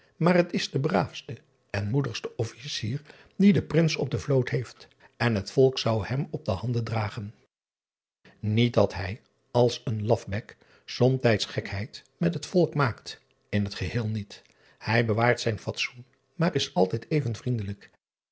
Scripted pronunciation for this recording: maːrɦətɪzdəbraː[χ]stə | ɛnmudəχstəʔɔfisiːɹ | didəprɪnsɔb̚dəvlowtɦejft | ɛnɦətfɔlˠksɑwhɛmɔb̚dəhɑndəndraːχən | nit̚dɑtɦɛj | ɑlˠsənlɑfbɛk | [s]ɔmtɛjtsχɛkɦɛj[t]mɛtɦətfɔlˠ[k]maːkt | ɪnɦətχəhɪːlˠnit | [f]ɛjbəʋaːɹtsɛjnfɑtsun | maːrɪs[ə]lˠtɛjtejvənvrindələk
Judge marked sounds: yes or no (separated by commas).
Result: no, yes, yes, yes, no, no